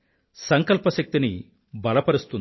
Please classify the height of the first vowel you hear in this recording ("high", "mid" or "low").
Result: low